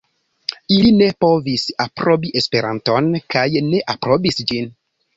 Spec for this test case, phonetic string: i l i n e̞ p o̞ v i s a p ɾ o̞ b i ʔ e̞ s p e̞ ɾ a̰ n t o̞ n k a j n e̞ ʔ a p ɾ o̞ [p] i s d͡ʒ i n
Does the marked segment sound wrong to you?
yes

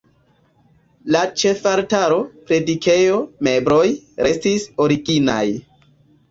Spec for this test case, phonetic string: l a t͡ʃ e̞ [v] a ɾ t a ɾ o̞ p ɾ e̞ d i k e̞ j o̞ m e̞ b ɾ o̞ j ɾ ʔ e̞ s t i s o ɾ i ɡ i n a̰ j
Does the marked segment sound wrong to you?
yes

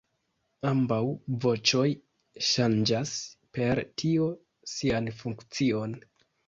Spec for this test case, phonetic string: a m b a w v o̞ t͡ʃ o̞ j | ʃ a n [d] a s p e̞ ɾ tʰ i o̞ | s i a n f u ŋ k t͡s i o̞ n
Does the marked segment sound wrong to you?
yes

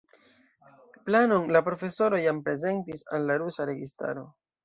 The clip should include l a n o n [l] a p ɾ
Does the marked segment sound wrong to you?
no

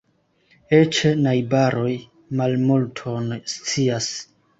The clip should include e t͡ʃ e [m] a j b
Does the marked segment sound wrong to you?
yes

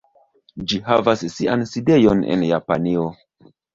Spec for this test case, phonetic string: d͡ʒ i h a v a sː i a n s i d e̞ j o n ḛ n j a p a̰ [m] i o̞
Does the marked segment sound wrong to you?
yes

